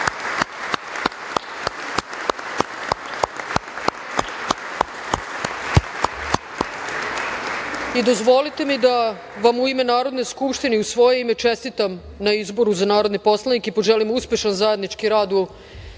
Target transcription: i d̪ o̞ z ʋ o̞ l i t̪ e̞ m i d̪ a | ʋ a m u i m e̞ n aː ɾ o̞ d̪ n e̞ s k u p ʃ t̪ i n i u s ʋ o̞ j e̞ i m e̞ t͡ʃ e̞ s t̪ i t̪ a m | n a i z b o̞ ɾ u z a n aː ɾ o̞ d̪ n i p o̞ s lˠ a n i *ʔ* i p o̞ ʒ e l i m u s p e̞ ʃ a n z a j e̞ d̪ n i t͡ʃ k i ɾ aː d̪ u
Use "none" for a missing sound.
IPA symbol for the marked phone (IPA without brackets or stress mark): k